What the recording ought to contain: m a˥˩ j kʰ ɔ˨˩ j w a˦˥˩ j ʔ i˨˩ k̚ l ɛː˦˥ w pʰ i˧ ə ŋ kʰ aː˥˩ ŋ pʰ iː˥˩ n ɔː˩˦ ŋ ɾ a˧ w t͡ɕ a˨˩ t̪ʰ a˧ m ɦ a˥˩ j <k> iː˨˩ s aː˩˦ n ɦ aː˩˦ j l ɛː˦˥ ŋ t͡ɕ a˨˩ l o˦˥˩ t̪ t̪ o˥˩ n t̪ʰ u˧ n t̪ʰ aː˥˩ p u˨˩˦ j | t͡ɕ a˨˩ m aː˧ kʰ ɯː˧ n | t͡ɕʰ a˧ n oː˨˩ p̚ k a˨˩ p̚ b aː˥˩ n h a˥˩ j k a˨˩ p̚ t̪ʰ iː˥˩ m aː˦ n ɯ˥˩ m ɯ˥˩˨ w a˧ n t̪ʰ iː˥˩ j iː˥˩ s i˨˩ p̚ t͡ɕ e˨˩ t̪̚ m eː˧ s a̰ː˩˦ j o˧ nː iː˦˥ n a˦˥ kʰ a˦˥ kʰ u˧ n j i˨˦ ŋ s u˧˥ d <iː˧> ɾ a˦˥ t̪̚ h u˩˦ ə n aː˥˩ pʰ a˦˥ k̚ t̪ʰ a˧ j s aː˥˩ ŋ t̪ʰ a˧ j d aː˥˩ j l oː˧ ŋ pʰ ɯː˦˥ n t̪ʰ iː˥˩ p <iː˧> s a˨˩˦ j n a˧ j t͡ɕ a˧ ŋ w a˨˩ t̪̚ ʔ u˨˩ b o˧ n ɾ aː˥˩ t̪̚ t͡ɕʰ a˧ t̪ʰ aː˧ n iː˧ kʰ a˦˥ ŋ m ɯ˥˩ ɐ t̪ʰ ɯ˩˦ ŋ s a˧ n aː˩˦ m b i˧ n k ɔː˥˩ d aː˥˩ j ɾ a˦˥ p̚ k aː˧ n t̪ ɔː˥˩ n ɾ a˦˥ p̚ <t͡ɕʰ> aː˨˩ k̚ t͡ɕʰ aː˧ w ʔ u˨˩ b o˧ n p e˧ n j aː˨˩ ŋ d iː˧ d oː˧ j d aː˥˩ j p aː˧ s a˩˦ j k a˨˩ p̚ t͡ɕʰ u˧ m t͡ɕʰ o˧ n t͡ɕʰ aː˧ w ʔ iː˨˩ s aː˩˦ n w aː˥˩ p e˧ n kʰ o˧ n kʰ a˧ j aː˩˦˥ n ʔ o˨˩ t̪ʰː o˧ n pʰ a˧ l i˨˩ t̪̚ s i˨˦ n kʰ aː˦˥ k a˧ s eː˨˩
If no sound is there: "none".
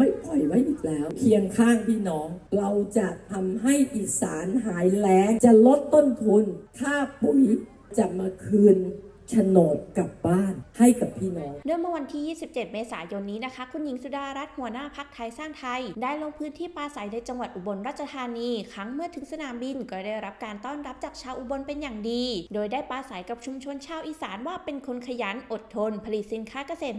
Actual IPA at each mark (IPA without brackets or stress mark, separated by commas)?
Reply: ʔ, aː˧, aː˧, t͡ɕ